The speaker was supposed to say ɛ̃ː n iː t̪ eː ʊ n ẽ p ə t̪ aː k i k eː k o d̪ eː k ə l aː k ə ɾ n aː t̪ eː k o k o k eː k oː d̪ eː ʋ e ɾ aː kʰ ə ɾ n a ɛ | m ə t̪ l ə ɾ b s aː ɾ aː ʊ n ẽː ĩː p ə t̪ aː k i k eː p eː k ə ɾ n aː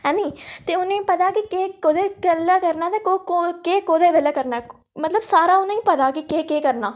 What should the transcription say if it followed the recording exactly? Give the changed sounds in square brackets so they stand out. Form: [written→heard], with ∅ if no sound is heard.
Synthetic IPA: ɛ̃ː n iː t̪ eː ʊ n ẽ p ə t̪ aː k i k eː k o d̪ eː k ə l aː k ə ɾ n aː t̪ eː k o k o k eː k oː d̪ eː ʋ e [ɾ→l] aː [kʰ→k] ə ɾ n a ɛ | m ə t̪ l ə [ɾ→∅] b s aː ɾ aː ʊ n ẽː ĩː p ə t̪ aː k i k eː [p→k] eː k ə ɾ n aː